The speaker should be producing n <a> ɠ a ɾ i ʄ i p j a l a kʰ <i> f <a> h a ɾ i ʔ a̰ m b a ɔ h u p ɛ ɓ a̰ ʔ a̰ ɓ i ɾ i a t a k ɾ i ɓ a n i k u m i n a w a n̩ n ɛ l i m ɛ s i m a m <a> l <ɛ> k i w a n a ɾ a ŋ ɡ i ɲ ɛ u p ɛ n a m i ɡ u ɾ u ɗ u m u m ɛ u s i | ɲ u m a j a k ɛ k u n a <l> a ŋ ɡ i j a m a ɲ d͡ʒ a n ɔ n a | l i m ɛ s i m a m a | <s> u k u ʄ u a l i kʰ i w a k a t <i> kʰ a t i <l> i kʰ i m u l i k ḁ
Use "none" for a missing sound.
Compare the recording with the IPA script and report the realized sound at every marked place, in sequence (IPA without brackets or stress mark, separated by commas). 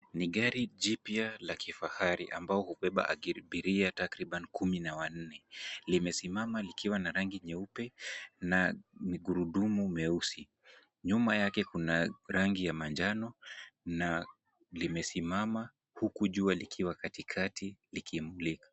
i, i, a, a, i, ɾ, h, i, l